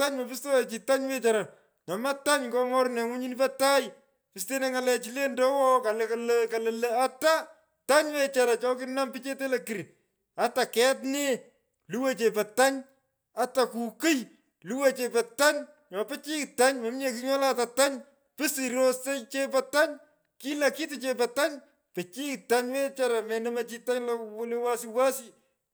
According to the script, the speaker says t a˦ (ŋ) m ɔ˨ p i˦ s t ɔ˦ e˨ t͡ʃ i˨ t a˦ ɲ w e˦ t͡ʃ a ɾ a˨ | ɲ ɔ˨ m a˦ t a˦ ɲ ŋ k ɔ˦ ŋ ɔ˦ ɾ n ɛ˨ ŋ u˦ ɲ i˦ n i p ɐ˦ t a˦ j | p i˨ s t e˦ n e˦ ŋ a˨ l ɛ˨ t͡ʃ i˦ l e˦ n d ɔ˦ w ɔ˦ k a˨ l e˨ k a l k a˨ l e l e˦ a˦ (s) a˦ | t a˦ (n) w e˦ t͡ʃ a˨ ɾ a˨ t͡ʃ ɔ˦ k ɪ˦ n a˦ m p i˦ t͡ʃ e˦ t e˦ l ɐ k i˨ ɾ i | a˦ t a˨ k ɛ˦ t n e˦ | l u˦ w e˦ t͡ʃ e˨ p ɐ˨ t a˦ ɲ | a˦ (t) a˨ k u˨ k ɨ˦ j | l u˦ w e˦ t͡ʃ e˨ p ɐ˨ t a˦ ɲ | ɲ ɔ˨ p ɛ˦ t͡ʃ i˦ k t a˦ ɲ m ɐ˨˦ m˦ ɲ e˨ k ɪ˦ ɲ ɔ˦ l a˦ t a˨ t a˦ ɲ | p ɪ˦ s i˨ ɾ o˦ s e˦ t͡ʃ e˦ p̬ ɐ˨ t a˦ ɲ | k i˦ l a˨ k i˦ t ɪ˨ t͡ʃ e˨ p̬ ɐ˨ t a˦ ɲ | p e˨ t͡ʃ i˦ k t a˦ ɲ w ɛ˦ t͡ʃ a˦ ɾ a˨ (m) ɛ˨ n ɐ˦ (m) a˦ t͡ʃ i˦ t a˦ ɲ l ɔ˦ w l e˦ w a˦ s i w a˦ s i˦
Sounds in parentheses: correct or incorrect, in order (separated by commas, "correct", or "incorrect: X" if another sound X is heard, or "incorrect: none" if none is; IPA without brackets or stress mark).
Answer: incorrect: ɲ, incorrect: t, incorrect: ɲ, correct, correct, correct